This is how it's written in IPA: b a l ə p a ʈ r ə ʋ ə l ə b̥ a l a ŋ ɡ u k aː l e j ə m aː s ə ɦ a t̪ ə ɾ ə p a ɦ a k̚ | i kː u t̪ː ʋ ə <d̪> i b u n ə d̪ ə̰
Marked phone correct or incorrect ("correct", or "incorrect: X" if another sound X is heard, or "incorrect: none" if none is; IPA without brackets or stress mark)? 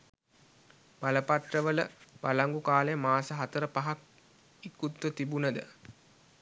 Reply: incorrect: t̪